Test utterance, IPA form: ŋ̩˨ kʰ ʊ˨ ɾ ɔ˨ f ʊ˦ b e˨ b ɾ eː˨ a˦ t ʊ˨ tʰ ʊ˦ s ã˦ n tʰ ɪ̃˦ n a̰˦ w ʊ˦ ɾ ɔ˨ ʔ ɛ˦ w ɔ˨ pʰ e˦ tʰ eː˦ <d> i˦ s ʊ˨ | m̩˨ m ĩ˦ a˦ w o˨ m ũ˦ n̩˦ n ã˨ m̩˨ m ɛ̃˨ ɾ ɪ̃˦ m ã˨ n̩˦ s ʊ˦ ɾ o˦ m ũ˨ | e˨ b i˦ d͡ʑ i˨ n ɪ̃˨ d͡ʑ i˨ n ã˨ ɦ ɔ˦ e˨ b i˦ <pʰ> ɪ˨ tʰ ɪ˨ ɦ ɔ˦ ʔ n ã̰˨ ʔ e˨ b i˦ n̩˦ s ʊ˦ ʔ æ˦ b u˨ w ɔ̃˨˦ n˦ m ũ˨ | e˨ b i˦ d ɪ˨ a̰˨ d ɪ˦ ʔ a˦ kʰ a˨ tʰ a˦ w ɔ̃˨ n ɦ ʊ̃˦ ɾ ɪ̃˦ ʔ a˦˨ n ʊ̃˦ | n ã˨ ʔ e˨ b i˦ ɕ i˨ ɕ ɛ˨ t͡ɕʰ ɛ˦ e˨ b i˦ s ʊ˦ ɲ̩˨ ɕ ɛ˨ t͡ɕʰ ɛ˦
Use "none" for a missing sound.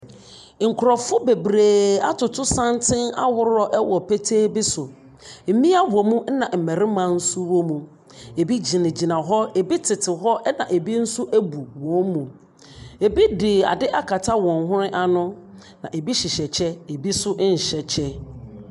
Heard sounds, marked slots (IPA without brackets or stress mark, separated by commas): b, tʰ